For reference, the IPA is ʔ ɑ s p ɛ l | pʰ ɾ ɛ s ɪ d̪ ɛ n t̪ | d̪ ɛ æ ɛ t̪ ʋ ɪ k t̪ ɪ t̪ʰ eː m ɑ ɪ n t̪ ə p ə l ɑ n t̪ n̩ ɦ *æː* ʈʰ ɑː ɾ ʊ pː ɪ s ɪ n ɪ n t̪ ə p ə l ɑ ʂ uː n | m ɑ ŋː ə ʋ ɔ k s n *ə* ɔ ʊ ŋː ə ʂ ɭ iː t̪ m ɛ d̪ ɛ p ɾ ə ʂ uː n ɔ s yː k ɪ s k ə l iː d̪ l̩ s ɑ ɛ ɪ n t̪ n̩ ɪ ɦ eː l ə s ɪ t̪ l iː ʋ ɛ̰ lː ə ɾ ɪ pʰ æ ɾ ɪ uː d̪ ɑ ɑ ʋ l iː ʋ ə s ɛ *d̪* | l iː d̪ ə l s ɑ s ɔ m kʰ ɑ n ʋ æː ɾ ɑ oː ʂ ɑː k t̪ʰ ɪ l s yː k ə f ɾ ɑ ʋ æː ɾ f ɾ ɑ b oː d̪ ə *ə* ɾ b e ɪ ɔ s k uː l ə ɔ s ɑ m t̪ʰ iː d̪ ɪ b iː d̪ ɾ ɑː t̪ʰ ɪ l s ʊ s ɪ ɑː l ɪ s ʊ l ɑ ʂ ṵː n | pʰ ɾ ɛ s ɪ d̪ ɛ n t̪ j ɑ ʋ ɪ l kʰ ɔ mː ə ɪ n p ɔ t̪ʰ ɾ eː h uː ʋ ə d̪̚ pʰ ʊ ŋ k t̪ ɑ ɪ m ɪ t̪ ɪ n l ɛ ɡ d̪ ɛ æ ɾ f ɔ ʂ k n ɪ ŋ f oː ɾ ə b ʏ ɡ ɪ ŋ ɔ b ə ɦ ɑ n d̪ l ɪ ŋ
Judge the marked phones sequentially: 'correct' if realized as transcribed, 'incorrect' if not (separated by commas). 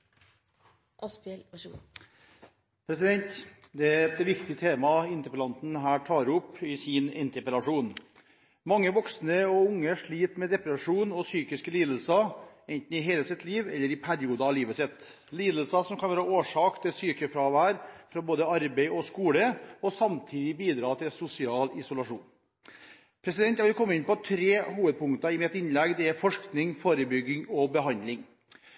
correct, correct, incorrect, incorrect